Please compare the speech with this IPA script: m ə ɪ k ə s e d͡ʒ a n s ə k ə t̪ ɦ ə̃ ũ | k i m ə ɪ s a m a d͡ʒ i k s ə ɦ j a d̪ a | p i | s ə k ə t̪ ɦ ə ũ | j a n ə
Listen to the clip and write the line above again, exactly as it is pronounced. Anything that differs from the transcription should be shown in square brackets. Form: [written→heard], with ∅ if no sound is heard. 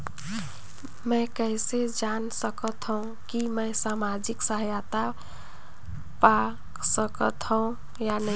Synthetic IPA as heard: m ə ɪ k ə s e d͡ʒ a n s ə k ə t̪ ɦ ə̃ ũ | k i m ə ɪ s a m a d͡ʒ i k s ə ɦ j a [d̪→t̪] a | p [i→a] | s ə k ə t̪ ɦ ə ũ | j a n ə